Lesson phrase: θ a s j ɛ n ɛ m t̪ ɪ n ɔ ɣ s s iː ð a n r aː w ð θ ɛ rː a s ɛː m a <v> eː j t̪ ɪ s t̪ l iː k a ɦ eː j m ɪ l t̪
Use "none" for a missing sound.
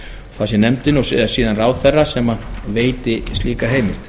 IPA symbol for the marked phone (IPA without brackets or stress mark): v